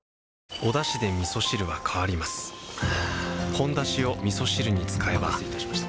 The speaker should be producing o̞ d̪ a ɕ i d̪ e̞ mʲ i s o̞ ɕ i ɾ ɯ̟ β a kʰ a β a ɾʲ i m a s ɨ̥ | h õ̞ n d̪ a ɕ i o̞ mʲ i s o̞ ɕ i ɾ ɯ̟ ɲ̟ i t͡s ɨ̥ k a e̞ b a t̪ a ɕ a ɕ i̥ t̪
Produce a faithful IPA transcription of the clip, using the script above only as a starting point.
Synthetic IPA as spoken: o̞ d̪ a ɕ i d̪ e̞ mʲ i s o̞ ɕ i ɾ ɯ̟ β a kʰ a β a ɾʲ i m a s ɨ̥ | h õ̞ n d̪ a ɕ i o̞ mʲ i s o̞ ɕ i ɾ ɯ̟ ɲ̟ i t͡s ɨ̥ k a e̞ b a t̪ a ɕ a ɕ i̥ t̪